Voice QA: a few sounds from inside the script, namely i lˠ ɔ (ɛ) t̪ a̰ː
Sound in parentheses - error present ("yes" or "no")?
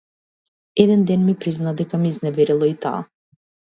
yes